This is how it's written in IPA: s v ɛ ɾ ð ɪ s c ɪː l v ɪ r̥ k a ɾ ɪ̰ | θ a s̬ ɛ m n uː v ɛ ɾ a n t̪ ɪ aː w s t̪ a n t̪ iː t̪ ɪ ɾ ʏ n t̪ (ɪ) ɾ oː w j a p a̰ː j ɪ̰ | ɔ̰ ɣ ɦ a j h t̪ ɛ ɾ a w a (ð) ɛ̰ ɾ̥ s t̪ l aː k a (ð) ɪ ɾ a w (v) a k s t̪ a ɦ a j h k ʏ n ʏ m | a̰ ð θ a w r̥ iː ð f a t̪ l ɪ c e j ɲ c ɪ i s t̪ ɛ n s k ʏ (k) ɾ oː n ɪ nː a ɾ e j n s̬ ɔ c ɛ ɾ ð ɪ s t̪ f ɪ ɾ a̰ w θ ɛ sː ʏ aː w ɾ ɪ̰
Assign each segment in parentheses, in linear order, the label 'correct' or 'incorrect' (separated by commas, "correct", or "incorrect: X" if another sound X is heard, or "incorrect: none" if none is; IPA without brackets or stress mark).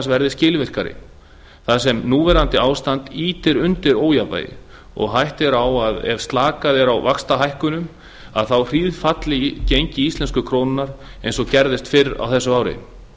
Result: correct, correct, correct, correct, incorrect: kʰ